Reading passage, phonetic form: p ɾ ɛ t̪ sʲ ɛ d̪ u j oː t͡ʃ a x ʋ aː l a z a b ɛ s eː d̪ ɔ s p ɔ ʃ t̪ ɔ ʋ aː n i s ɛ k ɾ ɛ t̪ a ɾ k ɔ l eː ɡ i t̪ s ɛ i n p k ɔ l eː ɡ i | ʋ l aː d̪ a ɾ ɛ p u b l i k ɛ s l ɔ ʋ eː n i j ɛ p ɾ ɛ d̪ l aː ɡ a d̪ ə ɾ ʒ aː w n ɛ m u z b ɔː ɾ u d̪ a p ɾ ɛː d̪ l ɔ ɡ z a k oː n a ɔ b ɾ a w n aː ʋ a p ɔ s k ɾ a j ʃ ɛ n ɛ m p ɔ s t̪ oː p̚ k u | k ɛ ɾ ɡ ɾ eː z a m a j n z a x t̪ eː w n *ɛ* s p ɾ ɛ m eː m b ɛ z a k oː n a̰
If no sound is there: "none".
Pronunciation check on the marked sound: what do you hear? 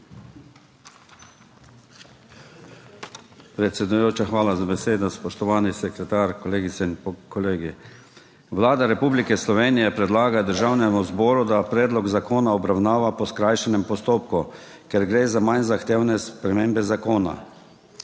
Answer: ɛ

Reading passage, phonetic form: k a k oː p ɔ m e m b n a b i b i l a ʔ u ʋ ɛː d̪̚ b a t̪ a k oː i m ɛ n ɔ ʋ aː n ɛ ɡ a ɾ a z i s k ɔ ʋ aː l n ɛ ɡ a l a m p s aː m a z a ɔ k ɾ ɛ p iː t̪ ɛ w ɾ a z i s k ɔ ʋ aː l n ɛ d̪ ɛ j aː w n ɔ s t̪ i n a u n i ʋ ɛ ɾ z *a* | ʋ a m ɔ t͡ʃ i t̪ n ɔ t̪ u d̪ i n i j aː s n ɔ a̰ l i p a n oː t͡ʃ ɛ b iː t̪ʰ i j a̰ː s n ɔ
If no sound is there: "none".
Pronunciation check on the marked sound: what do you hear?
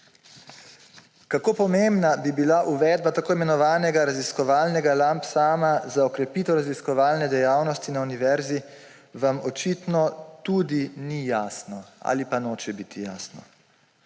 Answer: i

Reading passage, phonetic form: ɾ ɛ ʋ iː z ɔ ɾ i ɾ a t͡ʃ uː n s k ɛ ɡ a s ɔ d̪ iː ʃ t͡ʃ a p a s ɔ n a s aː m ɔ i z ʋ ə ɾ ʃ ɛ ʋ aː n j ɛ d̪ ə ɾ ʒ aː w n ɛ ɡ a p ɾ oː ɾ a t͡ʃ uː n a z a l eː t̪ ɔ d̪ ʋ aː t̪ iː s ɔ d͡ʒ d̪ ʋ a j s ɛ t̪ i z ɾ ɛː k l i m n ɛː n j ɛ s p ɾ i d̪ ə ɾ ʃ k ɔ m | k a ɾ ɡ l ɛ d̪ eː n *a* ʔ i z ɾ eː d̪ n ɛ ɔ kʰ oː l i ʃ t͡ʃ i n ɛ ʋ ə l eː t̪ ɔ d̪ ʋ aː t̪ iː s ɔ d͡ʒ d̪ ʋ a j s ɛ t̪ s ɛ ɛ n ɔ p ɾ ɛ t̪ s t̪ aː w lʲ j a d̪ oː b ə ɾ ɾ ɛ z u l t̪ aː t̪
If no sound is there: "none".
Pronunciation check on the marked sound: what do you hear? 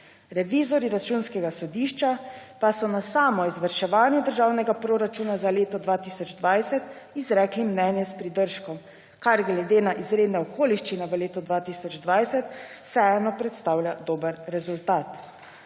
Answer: a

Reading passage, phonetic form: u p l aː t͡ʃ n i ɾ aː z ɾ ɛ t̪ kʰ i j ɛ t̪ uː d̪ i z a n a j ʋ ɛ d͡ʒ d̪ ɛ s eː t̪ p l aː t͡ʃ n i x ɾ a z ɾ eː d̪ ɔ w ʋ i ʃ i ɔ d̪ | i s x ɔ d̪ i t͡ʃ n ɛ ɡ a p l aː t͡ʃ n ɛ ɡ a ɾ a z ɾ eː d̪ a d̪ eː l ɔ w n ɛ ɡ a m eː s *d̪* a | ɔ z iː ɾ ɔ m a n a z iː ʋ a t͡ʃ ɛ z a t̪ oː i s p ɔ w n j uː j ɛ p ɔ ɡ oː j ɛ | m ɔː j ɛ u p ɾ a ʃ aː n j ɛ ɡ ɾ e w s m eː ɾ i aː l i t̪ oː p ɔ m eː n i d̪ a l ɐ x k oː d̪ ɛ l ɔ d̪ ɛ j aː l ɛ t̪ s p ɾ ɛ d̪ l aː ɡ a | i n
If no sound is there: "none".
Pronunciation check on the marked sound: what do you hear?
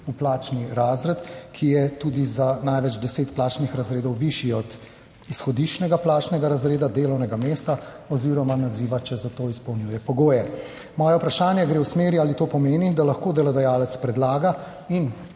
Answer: t̪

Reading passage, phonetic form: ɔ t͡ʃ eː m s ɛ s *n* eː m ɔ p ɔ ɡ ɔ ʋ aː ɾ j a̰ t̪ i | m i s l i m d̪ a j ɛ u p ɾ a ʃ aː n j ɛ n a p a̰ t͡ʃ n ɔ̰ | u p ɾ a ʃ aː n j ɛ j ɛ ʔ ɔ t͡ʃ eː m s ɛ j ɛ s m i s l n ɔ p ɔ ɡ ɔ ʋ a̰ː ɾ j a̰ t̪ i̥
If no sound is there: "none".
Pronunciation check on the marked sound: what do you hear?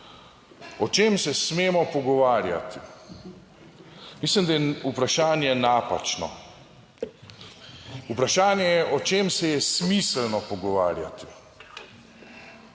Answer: m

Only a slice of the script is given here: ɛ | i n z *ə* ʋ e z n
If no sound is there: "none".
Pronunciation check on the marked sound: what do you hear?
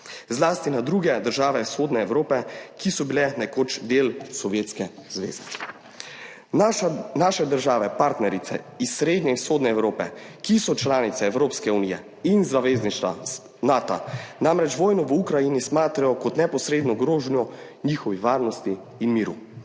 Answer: a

